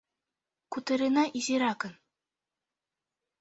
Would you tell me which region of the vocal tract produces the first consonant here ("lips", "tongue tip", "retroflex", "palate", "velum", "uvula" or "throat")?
velum